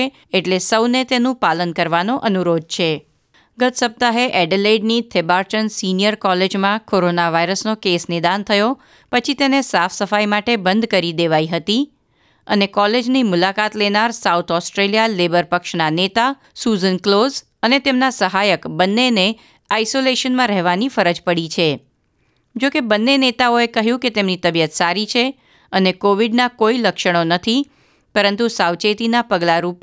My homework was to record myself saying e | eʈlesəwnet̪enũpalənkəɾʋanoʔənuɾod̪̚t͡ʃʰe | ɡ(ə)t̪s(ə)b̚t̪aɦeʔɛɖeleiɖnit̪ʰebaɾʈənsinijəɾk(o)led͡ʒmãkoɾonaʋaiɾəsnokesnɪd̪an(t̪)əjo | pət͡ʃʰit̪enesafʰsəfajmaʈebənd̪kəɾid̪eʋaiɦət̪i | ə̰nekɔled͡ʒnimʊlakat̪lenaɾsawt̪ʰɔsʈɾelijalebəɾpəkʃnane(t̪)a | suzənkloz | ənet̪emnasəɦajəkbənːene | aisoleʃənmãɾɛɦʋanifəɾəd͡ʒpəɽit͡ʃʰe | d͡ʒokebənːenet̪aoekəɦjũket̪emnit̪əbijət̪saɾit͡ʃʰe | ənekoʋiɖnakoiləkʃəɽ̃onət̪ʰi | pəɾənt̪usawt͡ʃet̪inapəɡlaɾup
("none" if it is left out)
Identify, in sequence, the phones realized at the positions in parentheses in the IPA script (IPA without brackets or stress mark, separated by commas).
ə, ə, ɔ, t̪ʰ, t̪